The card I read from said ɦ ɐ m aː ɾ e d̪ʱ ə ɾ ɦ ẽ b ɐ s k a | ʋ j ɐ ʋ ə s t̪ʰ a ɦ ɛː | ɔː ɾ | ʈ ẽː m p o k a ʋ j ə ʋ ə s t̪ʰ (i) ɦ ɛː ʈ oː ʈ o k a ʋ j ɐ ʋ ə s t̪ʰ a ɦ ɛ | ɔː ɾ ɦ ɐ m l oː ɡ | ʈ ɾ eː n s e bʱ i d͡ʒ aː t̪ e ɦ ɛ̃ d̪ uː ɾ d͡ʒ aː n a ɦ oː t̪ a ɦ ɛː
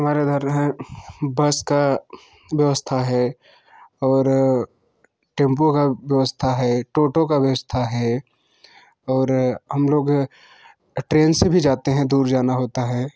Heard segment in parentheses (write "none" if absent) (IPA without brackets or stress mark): a